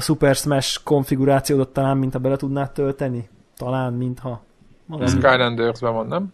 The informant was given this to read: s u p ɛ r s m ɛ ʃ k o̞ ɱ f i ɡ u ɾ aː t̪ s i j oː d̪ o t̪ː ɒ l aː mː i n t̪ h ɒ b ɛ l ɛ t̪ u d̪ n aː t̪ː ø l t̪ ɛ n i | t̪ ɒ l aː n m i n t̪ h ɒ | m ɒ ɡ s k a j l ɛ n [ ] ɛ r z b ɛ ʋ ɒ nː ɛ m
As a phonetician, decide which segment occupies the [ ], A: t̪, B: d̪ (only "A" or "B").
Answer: B